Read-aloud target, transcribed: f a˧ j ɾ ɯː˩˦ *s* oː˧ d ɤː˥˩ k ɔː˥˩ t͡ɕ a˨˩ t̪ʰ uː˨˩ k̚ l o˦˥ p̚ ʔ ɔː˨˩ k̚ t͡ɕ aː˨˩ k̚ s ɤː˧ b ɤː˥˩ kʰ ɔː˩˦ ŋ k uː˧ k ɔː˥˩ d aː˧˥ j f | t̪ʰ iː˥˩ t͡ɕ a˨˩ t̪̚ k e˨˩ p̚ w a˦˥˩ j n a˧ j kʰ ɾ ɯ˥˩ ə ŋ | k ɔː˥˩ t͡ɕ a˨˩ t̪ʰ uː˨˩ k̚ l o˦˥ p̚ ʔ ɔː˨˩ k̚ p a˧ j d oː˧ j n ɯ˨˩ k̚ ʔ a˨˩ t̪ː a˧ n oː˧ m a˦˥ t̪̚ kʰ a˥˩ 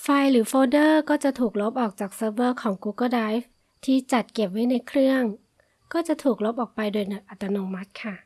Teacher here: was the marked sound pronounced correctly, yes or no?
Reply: no